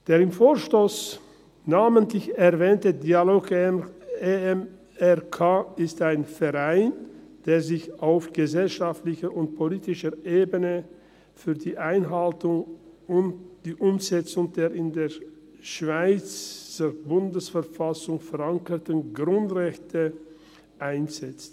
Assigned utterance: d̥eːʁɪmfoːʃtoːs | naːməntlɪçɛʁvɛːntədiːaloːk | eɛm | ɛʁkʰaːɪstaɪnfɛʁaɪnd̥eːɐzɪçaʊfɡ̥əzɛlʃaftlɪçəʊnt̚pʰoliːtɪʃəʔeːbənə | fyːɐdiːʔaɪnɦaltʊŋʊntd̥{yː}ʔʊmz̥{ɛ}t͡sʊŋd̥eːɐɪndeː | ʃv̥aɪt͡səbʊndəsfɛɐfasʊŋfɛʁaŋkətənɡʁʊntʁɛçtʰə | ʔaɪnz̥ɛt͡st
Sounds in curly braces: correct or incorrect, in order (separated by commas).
incorrect, correct